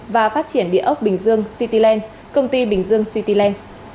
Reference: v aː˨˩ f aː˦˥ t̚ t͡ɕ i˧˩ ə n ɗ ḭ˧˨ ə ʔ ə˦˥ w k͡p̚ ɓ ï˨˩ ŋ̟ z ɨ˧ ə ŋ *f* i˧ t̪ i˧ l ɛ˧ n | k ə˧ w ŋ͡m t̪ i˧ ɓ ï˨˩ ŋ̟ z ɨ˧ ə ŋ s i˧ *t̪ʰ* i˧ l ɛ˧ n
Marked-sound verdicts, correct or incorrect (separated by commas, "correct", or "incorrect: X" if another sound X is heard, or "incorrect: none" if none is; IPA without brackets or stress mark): incorrect: s, incorrect: t̪